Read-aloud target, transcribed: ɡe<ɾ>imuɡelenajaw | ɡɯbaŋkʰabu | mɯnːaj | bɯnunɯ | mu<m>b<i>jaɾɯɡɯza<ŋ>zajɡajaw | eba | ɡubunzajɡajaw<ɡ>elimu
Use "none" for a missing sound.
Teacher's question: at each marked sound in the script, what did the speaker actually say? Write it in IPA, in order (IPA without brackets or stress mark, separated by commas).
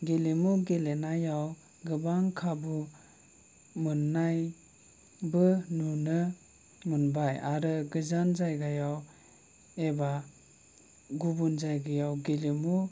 l, n, a, n, ɡ